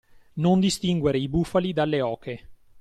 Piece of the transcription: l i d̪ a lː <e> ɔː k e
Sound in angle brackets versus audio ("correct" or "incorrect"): correct